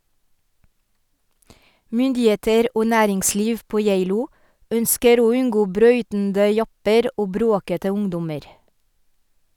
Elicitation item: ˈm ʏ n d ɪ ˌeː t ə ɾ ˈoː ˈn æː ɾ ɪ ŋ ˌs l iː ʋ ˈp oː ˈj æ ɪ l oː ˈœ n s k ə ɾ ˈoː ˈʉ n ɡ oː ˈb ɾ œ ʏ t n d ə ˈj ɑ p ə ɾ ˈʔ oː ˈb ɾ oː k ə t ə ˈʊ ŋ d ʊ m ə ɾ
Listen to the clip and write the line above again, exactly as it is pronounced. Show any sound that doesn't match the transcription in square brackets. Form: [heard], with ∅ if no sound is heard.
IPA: ˈm ʏ n d ɪ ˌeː t ə ɾ ˈoː ˈn æː ɾ ɪ ŋ ˌs l iː ʋ ˈp oː ˈj æ ɪ l [uː] ˈœ n s k ə ɾ ˈoː ˈʉ n ɡ oː ˈb ɾ œ ʏ t n d ə ˈj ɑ p ə ɾ ˈʔ oː ˈb ɾ oː k ə t ə ˈʊ ŋ d ʊ m ə ɾ

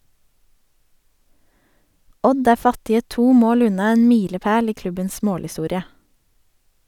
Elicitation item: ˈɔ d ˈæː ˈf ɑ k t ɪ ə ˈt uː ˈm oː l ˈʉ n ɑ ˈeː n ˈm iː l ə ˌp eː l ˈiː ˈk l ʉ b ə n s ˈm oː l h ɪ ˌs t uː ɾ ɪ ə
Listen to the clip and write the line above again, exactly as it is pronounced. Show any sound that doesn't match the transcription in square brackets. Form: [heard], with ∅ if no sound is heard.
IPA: ˈɔ d ˈæː ˈf ɑ [∅] t ɪ ə ˈt uː ˈm oː l ˈʉ n ɑ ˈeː n ˈm iː l ə ˌp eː l ˈiː ˈk l ʉ b ə n s ˈm oː l h ɪ ˌs t uː ɾ ɪ ə

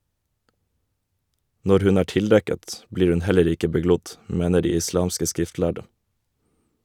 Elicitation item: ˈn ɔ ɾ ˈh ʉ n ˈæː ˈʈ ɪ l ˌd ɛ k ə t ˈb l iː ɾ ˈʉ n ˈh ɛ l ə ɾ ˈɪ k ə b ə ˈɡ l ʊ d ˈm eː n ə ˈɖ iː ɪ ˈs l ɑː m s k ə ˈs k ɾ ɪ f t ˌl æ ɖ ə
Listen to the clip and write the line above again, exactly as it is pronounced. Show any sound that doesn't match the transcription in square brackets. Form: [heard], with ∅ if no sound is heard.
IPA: ˈn ɔ ɾ ˈh ʉ n ˈæː ˈʈ ɪ l ˌd ɛ k ə t ˈb l iː ɾ ˈʉ n ˈh ɛ l ə ɾ ˈɪ k ə b ə ˈɡ l ʊ d ˈm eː n ə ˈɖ iː ɪ ˈs l ɑː m s k ə ˈs k ɾ ɪ f t ˌl æ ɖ ə

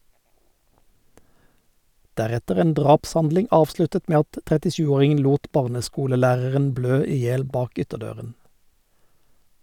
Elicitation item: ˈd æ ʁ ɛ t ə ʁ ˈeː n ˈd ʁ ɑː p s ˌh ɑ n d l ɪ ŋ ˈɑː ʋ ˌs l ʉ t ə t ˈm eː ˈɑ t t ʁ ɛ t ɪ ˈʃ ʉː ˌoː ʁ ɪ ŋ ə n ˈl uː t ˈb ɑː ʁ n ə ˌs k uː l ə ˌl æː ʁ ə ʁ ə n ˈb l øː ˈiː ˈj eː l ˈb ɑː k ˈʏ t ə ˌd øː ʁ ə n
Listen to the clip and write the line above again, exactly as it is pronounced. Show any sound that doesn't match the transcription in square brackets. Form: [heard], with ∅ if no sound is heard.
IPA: ˈd æ ʁ ɛ t ə ʁ ˈeː n ˈd ʁ ɑː p s ˌh ɑ n d l ɪ ŋ ˈɑː ʋ ˌs l ʉ t ə t ˈm eː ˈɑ t t ʁ ɛ t ɪ ˈʃ ʉː ˌoː ʁ ɪ ŋ ə n ˈl uː t ˈb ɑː ʁ n ə ˌs k uː l ə ˌl æː ʁ ə ʁ ə n ˈb l øː ˈiː ˈj eː l ˈb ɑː k ˈʏ t ə ˌd øː ʁ ə n

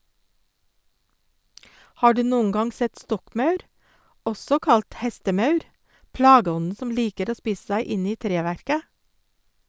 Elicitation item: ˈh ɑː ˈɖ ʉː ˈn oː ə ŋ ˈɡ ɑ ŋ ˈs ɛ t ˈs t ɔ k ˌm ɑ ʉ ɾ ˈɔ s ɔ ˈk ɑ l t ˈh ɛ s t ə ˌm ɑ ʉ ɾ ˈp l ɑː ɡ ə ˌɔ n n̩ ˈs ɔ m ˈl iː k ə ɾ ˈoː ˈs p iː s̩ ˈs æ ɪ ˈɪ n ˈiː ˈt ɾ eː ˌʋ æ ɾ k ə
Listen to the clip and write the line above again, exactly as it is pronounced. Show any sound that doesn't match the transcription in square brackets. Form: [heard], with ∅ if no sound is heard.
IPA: ˈh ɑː ˈɖ ʉː ˈn oː ə ŋ ˈɡ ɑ ŋ ˈs ɛ t ˈs t ɔ k ˌm ɑ ʉ ɾ ˈɔ s ɔ ˈk ɑ l t ˈh ɛ s t ə ˌm ɑ ʉ ɾ ˈp l ɑː ɡ ə ˌɔ n n̩ ˈs ɔ m ˈl iː k ə ɾ ˈoː ˈs p iː s̩ ˈs æ ɪ ˈɪ n ˈiː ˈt ɾ eː ˌʋ æ ɾ k ə

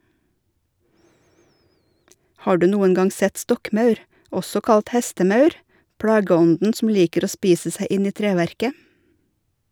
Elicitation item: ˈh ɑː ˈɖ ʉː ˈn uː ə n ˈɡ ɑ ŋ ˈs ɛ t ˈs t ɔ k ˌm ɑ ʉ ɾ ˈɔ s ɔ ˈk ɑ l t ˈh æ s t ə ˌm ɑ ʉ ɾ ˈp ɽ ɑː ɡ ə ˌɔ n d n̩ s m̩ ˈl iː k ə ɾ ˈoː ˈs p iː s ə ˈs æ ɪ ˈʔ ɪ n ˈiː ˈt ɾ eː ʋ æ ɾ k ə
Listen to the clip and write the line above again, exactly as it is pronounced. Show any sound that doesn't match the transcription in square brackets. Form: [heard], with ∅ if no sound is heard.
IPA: ˈh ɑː ˈɖ ʉː ˈn uː ə n ˈɡ ɑ ŋ ˈs ɛ t ˈs t ɔ k ˌm ɑ ʉ ɾ ˈɔ s ɔ ˈk ɑ l t ˈh [ɛ] s t ə ˌm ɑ ʉ ɾ ˈp ɽ ɑː ɡ ə ˌɔ n d n̩ s m̩ ˈl iː k ə ɾ ˈoː ˈs p iː s ə ˈs æ ɪ ˈʔ ɪ n ˈiː ˈt ɾ eː ʋ æ ɾ k ə

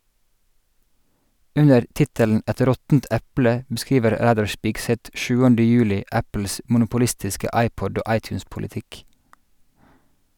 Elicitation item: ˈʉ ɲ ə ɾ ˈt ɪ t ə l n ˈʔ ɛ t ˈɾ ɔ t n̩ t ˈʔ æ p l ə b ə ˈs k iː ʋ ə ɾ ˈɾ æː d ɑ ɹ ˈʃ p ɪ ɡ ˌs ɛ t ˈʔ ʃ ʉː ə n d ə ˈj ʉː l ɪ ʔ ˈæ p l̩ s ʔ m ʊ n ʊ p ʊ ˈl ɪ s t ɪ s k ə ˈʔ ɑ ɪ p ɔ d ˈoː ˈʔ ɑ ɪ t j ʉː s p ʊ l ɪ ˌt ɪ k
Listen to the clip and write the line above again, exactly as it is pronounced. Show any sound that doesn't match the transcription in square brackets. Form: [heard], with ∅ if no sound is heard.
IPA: ˈʉ ɲ ə ɾ ˈt ɪ t ə l n ˈʔ ɛ t ˈɾ ɔ t n̩ t ˈʔ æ p l ə b ə ˈs k iː ʋ ə ɾ ˈɾ æː d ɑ ɹ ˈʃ p ɪ ɡ ˌs ɛ t ˈʔ ʃ ʉː ə n d ə ˈj ʉː l ɪ ʔ ˈæ p l̩ s ʔ m ʊ n ʊ p ʊ ˈl ɪ s t ɪ s k ə ˈʔ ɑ ɪ p ɔ d ˈoː ˈʔ ɑ ɪ t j ʉː s p ʊ l ɪ ˌt ɪ k

